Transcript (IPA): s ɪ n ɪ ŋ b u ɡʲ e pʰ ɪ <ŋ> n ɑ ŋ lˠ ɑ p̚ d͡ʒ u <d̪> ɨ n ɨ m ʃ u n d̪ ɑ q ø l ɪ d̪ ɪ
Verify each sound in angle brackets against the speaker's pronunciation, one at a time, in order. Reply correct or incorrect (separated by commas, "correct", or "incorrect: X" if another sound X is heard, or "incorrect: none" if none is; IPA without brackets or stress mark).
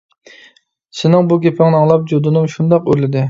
correct, correct